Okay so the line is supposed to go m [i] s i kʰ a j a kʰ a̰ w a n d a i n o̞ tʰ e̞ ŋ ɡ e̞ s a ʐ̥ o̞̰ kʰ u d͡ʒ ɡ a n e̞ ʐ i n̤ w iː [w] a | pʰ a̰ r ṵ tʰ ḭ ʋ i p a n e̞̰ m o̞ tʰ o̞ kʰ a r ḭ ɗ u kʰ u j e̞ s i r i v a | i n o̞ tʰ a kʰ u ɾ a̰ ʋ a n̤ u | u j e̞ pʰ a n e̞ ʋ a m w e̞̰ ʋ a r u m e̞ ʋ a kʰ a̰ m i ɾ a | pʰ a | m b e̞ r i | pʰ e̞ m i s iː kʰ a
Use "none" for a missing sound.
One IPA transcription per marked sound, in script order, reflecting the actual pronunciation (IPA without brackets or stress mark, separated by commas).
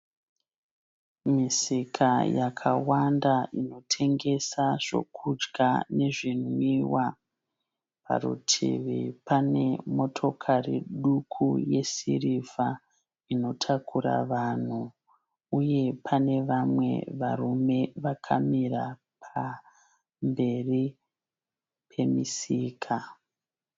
i, w